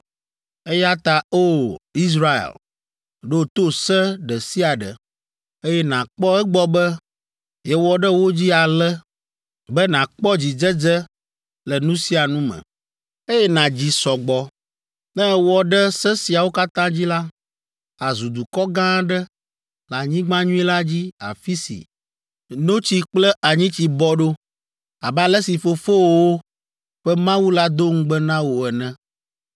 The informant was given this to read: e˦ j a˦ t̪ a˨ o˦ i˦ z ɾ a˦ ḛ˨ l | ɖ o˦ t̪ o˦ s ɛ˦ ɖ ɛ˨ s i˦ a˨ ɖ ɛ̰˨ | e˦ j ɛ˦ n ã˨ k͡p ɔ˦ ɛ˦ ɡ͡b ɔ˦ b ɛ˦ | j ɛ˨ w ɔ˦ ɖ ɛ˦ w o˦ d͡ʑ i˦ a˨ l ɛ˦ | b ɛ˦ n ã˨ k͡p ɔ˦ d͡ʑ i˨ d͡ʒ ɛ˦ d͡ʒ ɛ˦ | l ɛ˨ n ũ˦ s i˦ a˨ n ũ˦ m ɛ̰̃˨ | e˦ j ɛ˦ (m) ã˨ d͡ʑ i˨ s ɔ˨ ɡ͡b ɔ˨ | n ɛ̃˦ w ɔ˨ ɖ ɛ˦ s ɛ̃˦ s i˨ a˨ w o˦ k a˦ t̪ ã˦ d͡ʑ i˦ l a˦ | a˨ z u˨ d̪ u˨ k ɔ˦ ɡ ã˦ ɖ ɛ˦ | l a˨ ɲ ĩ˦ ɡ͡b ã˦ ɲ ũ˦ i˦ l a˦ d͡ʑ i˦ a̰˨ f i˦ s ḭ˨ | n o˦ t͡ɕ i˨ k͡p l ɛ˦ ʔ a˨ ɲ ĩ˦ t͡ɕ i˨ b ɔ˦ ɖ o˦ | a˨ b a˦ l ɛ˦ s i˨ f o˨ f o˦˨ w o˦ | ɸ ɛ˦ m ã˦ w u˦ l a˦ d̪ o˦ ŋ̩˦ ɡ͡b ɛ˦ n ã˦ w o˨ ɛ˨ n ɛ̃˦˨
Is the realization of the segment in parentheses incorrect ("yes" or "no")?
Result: yes